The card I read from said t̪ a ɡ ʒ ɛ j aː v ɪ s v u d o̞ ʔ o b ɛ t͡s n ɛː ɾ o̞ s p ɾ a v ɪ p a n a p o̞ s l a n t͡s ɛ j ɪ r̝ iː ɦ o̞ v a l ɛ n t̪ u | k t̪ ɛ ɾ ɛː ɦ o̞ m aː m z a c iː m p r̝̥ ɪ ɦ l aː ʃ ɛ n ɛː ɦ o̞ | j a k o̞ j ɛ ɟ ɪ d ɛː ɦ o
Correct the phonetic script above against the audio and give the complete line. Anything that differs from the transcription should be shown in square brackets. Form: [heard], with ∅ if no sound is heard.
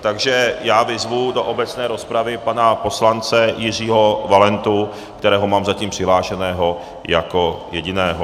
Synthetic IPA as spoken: t̪ a ɡ ʒ ɛ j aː v ɪ [z] v u d o̞ ʔ o b ɛ t͡s n ɛː ɾ o̞ s p ɾ a v ɪ p a n a p o̞ s l a n t͡s ɛ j ɪ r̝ iː ɦ o̞ v a l ɛ n t̪ u | k t̪ ɛ ɾ ɛː ɦ o̞ m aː m z a c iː m p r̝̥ ɪ ɦ l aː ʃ ɛ n ɛː ɦ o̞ | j a k o̞ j ɛ ɟ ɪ [n] ɛː ɦ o